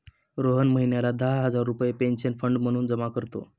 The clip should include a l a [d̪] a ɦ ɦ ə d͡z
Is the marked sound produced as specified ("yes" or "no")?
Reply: yes